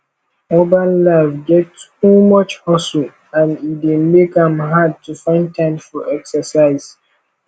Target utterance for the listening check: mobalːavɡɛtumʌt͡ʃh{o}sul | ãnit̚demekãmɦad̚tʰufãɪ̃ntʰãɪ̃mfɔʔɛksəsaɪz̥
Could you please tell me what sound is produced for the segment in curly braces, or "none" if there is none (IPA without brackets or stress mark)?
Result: ɔ